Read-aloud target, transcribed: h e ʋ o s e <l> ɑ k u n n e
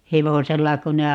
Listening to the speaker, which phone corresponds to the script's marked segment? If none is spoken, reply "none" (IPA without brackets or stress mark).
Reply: lː